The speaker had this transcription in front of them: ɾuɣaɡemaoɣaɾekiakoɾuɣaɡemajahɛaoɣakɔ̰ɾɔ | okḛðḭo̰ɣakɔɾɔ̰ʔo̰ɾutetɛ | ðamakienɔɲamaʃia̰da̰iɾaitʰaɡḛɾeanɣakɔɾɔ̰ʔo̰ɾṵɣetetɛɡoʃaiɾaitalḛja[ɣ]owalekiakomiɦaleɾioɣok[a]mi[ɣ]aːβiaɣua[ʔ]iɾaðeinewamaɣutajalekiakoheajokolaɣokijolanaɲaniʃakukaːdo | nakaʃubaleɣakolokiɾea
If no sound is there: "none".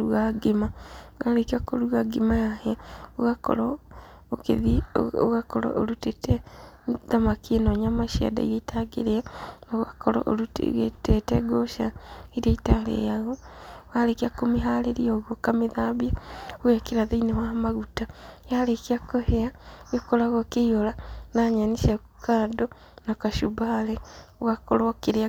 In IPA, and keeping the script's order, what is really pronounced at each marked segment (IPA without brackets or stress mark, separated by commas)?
ɣ, a, ð, k